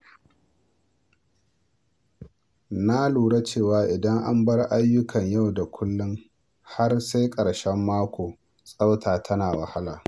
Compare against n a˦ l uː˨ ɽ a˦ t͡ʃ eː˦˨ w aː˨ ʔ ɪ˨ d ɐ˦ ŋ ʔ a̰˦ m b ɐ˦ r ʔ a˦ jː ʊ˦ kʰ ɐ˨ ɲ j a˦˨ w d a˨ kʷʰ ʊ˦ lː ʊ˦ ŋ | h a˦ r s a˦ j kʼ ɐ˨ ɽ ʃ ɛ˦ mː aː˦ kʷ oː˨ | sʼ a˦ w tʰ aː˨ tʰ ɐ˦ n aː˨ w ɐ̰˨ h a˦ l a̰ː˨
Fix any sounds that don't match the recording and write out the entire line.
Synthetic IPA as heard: n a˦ l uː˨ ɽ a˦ t͡ʃ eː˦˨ w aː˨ ʔ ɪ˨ d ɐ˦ ŋ ʔ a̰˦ m b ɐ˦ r ʔ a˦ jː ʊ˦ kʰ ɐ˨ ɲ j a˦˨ w d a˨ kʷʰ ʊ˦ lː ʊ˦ ŋ | h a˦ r s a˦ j kʼ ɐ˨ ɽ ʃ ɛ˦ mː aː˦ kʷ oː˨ | sʼ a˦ w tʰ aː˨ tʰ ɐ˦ n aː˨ w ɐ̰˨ h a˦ l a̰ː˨